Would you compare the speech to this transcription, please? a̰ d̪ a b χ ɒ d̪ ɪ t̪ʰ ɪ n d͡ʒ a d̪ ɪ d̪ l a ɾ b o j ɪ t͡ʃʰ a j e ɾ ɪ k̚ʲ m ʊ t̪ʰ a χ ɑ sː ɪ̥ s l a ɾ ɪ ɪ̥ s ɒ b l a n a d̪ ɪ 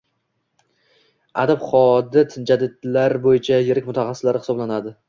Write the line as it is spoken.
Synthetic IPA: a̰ d̪ a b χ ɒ d̪ ɪ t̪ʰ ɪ n d͡ʒ a d̪ ɪ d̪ l a ɾ b o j ɪ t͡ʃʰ a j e ɾ ɪ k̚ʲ m ʊ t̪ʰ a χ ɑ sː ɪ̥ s l a ɾ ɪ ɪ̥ s ɒ b l a n a d̪ ɪ